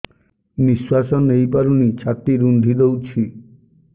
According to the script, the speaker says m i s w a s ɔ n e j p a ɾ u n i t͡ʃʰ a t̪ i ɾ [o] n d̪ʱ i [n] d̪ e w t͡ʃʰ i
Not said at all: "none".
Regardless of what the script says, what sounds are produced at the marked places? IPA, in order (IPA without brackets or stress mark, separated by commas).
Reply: u, none